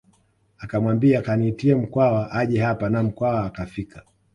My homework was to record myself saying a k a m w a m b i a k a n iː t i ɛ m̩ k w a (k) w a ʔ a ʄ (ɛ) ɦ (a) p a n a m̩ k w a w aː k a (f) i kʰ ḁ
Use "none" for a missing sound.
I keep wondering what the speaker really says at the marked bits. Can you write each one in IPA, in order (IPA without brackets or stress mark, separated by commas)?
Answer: none, ɛ, a, f